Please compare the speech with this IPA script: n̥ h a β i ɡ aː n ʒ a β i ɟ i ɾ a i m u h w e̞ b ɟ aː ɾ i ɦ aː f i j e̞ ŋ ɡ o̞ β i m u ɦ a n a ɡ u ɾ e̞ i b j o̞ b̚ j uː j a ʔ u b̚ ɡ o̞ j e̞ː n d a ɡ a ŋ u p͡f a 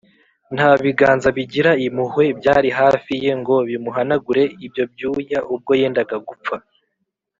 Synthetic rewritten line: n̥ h a β i ɡ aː n z a β i ɟ i ɾ a i m u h w e̞ b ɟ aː ɾ i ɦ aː f i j e̞ ŋ ɡ o̞ β i m u ɦ a n a ɡ u ɾ e̞ i b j o̞ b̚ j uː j a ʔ u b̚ ɡ o̞ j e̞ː n d a ɡ a ɡ u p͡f a